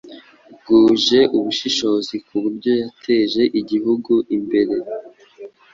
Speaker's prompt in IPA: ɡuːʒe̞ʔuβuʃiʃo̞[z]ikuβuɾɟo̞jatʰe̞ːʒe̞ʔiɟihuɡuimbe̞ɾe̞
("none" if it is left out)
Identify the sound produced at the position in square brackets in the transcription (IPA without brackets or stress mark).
z